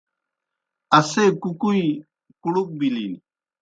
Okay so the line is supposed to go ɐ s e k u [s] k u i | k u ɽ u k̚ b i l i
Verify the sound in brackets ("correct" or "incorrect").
incorrect